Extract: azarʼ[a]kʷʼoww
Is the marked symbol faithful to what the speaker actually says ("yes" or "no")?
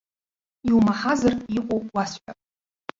no